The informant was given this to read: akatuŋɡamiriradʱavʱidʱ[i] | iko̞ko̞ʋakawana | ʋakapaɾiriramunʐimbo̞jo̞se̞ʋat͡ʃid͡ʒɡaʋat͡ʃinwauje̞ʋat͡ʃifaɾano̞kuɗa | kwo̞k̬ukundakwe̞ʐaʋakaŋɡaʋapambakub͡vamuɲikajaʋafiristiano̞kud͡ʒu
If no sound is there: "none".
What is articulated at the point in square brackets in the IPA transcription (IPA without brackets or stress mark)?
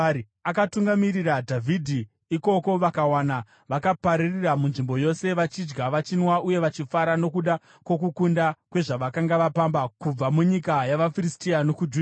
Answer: i